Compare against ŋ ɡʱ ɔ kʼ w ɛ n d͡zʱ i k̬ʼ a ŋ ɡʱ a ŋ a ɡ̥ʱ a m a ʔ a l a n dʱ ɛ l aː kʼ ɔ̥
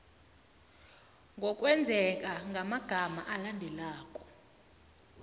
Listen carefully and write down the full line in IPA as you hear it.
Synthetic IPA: ŋ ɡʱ ɔ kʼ w ɛ n d͡zʱ ɛ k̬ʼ a ŋ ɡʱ a m a ɡ̥ʱ a m a ʔ a l a n dʱ ɛ l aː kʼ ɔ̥